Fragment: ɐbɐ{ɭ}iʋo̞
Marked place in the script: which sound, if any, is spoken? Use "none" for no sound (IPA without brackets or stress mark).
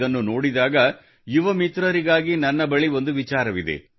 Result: ɭ